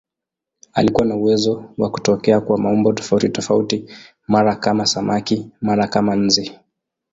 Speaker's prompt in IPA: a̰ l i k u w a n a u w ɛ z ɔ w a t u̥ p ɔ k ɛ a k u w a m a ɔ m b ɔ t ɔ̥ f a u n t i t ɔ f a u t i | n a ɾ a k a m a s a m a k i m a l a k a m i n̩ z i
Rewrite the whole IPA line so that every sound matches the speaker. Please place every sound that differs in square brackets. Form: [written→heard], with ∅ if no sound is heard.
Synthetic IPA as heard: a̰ l i k u w a n a u w ɛ z ɔ w a [t→k] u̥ [p→t] ɔ k ɛ a k u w a m a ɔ m b ɔ t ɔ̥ f a u [n→∅] t i t ɔ f a u t i | [n→m] a ɾ a k a m a s a m a k i m a [l→ɾ] a k a m [i→a] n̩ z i